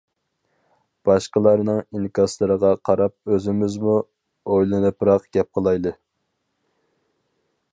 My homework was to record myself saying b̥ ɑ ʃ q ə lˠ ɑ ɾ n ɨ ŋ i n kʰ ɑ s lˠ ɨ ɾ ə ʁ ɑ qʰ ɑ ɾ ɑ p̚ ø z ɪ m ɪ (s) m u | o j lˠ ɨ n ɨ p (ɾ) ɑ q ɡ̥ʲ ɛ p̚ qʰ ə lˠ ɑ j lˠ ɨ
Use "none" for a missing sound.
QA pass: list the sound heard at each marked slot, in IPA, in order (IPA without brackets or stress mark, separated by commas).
z, ɾ